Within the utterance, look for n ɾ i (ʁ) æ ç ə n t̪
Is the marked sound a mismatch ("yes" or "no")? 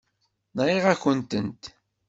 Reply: no